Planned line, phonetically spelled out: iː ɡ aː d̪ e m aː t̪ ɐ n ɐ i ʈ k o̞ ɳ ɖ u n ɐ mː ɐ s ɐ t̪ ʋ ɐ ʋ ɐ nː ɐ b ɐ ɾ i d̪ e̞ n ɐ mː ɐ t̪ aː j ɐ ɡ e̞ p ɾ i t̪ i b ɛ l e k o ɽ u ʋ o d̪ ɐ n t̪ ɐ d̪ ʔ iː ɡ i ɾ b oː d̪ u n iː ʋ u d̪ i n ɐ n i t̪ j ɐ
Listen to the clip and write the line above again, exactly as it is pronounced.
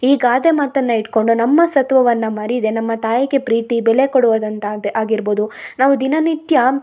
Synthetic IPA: iː ɡ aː d̪ e m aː t̪ ɐ nː ɐ i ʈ k o̞ ɳ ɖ u n ɐ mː ɐ s ɐ t̪ ʋ ɐ ʋ ɐ nː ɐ m ɐ ɾ i d̪ e̞ n ɐ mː ɐ t̪ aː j ɐ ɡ e̞ p ɾ iː t̪ i b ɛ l e k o ɽ u ʋ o d̪ ɐ n t̪ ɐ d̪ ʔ aː ɡ i ɾ b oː d̪ u n aː ʋ u d̪ i n ɐ n i t̪ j ɐ